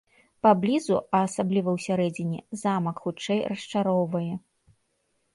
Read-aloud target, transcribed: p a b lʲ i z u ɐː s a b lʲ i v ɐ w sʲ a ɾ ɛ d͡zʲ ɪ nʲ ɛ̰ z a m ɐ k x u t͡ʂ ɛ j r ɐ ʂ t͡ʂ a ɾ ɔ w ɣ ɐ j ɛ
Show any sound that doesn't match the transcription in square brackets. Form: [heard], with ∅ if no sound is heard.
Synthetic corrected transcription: p a b lʲ i z u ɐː s a b lʲ i v ɐ w sʲ a ɾ ɛ d͡zʲ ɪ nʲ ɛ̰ z a m ɐ k x u t͡ʂ ɛ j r ɐ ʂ t͡ʂ a ɾ ɔ w [v] ɐ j ɛ